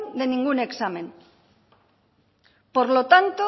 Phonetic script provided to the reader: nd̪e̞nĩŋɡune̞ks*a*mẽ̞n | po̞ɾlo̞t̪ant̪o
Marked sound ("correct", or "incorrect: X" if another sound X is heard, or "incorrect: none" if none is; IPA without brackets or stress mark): correct